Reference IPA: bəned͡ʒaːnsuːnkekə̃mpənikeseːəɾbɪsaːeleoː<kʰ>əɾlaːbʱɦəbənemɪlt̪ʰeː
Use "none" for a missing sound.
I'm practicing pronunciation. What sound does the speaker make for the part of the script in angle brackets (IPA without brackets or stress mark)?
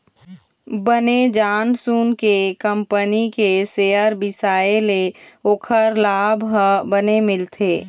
kʰ